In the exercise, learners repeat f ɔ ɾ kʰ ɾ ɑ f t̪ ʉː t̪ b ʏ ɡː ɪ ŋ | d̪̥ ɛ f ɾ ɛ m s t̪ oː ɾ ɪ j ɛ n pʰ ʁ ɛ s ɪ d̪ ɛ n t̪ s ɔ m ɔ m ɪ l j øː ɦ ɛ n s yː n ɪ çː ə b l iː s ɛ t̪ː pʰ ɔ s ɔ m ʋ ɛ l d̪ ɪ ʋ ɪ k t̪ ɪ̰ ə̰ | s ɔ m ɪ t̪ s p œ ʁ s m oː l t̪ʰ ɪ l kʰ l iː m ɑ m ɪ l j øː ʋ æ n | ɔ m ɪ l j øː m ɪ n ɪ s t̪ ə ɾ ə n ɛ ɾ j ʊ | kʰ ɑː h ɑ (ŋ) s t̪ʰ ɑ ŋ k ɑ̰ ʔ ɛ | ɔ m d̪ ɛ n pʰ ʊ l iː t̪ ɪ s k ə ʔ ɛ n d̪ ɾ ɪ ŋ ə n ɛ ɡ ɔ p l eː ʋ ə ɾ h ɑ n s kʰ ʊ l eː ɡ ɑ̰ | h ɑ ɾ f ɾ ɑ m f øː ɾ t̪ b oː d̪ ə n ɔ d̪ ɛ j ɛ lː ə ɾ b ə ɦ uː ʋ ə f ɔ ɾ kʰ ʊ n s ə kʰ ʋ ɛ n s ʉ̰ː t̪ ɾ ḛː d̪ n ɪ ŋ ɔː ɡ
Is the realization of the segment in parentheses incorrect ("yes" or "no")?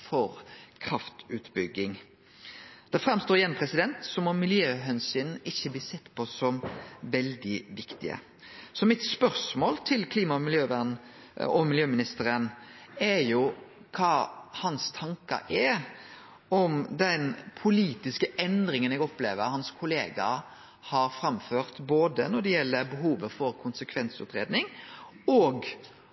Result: yes